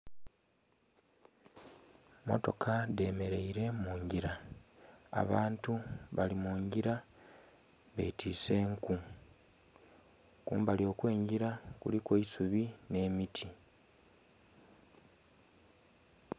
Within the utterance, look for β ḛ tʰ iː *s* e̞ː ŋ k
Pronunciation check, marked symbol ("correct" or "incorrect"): correct